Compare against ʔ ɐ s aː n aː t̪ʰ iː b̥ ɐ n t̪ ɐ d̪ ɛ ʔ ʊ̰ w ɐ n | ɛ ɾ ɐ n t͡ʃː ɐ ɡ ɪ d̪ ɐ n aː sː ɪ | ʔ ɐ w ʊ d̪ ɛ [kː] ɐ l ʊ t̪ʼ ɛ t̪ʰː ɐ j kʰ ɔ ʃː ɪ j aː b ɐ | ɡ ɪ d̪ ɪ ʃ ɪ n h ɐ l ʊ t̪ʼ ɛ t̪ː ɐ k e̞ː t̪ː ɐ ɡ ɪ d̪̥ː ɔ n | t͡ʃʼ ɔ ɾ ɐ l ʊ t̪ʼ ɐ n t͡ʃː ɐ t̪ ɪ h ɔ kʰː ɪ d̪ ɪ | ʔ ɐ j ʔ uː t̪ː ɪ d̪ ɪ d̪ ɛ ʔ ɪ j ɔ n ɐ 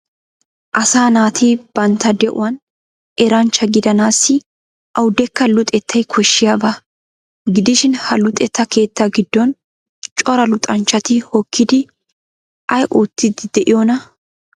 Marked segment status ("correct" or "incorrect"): correct